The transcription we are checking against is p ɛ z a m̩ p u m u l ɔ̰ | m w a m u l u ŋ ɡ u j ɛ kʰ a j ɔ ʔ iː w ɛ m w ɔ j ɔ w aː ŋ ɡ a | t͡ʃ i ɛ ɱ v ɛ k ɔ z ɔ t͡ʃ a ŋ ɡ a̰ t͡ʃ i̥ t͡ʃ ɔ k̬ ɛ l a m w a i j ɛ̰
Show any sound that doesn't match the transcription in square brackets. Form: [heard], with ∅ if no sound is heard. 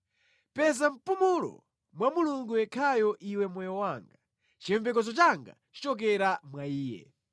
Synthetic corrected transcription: p ɛ z a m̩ p u m u l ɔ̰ | m w a m u l u ŋ ɡ u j ɛ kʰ a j ɔ ʔ [i] w ɛ m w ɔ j ɔ w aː ŋ ɡ a | t͡ʃ i ɛ ɱ v ɛ k ɔ z ɔ t͡ʃ a ŋ ɡ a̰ t͡ʃ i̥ t͡ʃ ɔ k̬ ɛ [ɾ] a m w a [iː] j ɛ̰